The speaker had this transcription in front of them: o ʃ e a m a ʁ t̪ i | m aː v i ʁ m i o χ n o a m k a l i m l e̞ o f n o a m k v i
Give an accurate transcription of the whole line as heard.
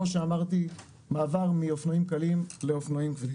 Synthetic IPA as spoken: o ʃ e a m a ʁ t̪ i | m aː v a ʁ m i o f n o i m k a l i m l e̞ o f n o i m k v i